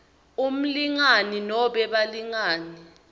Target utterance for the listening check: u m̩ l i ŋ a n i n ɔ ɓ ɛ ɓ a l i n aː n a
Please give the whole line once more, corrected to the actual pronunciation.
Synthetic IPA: u m̩ l i ŋ a n i n ɔ ɓ ɛ ɓ a l i ŋ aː n i